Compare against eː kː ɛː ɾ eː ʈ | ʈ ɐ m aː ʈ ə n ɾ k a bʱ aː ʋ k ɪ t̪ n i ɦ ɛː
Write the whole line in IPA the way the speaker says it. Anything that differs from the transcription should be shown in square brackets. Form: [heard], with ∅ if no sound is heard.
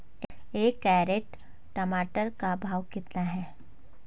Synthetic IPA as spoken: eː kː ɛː ɾ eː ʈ | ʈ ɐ m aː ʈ ə [∅] ɾ k a bʱ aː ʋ k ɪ t̪ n [a] ɦ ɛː